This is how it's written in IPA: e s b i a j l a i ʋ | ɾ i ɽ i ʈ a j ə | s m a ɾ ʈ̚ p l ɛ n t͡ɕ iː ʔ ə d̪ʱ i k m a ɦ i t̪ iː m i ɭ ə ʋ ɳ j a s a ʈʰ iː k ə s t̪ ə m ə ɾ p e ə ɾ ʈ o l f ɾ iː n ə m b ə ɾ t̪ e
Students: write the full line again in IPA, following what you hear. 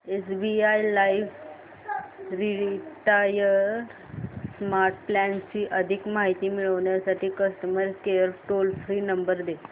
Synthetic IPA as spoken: e s b i a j l a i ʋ | ɾ i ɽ i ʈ a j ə | s m a ɾ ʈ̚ p l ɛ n t͡ɕ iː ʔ ə d̪ʱ i k m a ɦ i t̪ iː m i ɭ ə ʋ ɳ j a s a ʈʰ iː k ə s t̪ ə m ə ɾ k e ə ɾ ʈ o l f ɾ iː n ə m b ə ɾ d̪ e